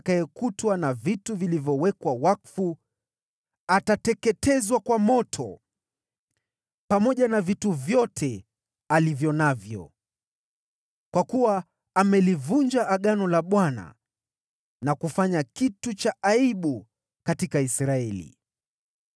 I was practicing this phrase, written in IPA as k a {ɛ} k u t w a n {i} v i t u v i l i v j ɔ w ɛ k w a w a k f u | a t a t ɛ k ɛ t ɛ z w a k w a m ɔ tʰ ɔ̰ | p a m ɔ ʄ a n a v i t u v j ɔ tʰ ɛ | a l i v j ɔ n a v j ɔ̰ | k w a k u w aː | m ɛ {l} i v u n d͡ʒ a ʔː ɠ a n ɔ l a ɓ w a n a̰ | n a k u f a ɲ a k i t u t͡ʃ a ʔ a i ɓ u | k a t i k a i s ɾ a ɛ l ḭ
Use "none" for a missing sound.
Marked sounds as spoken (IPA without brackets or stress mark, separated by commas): ɛ, a, l